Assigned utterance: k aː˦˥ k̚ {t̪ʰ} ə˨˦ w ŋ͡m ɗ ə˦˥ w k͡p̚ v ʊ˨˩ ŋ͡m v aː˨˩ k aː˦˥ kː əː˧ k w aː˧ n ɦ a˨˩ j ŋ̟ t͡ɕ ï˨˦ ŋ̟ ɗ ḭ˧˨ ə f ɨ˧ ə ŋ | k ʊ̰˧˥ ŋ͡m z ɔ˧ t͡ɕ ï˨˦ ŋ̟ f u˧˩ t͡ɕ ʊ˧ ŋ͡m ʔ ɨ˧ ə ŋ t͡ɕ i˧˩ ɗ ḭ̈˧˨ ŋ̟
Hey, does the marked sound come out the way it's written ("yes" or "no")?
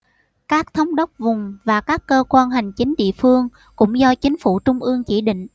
yes